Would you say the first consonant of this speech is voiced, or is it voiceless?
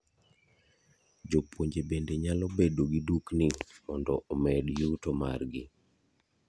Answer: voiced